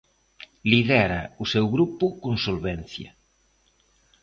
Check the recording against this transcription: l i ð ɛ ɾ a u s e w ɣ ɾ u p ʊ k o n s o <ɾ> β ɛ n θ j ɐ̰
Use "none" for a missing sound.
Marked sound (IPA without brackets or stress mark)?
l